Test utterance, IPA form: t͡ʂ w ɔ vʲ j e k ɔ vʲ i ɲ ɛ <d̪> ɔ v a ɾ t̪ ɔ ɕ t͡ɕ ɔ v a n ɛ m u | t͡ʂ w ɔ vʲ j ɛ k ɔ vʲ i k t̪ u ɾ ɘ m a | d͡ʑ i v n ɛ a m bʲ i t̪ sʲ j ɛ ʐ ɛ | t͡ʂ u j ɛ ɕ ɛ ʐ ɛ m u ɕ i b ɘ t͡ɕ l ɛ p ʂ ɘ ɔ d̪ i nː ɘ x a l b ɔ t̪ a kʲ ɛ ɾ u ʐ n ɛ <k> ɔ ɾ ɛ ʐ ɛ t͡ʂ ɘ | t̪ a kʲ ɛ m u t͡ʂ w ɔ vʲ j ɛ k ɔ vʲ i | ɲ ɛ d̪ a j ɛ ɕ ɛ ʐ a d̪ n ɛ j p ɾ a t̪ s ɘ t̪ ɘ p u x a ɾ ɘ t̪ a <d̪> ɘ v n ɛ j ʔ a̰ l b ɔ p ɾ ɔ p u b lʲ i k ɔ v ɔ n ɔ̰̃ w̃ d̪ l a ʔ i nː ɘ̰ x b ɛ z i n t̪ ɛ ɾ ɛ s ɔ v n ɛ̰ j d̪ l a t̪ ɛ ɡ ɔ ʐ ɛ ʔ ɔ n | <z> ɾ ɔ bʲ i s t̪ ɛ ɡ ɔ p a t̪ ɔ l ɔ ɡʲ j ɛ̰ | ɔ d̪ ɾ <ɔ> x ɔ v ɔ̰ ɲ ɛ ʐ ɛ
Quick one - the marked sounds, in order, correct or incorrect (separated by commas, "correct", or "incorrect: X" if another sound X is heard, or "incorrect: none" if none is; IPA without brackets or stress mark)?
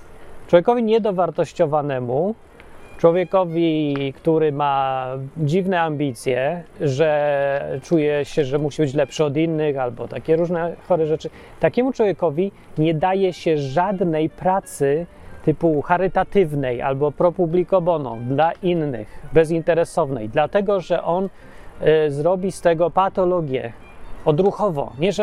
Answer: correct, incorrect: x, incorrect: t̪, correct, incorrect: u